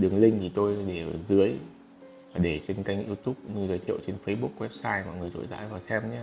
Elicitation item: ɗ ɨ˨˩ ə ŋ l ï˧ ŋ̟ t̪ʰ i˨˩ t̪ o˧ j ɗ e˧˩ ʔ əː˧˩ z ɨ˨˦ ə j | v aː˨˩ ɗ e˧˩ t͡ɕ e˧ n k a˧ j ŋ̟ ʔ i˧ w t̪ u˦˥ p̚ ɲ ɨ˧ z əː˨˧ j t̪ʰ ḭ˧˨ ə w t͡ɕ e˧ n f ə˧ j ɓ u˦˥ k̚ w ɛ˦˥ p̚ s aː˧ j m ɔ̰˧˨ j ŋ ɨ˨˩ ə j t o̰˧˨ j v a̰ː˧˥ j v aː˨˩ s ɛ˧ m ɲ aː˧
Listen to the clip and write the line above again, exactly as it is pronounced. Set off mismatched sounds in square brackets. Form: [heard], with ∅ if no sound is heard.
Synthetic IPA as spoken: ɗ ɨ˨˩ ə ŋ l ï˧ ŋ̟ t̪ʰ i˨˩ t̪ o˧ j ɗ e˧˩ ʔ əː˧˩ z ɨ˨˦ ə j | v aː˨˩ ɗ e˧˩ t͡ɕ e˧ n k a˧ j ŋ̟ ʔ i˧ w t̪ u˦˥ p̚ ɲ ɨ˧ z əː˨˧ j t̪ʰ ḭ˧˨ ə w t͡ɕ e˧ n f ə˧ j ɓ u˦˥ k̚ w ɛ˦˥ p̚ s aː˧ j m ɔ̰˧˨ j ŋ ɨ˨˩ ə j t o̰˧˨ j [z] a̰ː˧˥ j v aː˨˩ s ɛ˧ m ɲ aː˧